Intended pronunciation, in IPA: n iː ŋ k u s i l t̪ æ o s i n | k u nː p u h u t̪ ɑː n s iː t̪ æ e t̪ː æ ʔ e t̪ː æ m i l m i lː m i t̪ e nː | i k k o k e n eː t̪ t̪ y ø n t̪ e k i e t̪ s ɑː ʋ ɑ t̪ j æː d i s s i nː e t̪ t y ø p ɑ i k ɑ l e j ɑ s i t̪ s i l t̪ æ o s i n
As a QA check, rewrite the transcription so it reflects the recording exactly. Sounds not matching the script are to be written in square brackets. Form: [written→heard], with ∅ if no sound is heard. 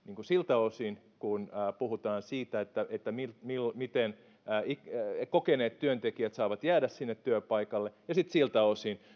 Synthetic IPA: n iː ŋ k u s i l t̪ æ o s i n | k u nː p u h u t̪ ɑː n s iː t̪ æ e t̪ː æ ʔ e t̪ː æ m i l m i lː m i t̪ e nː | i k k o k e n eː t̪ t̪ y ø n t̪ e k i [e→æ] t̪ s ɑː ʋ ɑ t̪ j æː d [i→æ] s s i nː e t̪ t y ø p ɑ i k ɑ [l→lː] e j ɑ s i t̪ s i l t̪ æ o s i n